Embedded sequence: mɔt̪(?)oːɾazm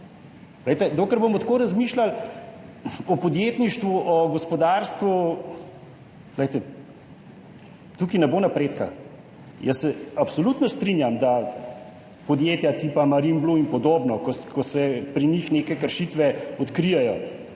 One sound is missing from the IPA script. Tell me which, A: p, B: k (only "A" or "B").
B